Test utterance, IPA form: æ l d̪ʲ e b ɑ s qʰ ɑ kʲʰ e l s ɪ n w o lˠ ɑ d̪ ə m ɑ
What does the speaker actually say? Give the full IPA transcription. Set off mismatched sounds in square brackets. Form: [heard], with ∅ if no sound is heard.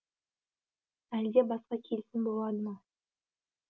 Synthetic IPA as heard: æ l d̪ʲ e b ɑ s [q] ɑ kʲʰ e l s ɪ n [b] o lˠ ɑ d̪ ə m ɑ